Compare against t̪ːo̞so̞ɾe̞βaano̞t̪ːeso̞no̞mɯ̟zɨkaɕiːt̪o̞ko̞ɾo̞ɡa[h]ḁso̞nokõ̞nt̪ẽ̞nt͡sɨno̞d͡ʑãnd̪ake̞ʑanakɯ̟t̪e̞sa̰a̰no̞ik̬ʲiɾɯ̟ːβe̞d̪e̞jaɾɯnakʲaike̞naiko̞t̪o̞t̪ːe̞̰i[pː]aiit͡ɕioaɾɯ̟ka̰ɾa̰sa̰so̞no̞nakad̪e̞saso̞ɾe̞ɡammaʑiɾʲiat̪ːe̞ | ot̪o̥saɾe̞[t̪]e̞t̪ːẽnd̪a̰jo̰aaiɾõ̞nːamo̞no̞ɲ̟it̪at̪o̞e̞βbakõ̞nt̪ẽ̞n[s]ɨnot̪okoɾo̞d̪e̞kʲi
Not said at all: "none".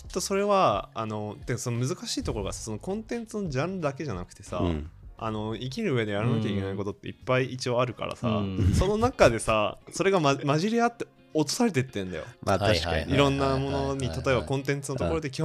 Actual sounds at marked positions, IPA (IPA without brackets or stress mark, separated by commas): s, pː, t̪, t͡s